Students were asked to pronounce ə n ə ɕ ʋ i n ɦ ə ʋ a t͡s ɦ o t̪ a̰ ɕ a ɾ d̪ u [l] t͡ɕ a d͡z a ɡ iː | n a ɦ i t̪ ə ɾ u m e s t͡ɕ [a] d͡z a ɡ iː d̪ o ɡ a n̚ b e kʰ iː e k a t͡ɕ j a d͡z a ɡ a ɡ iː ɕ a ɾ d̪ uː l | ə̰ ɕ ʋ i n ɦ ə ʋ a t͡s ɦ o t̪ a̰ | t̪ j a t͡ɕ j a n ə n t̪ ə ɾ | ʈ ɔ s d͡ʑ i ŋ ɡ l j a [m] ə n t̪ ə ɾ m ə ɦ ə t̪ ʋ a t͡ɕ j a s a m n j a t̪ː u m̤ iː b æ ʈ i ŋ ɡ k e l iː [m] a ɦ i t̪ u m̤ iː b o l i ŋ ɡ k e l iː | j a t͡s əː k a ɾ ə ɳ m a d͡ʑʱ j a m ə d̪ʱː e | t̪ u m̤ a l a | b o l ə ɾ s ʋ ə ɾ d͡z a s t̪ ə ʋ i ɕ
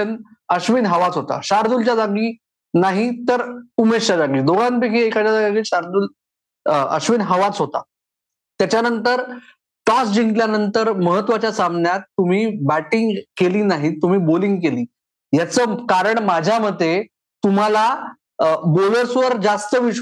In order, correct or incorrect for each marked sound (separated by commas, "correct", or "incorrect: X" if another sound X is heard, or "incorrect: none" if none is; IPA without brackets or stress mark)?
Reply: correct, correct, incorrect: n, incorrect: n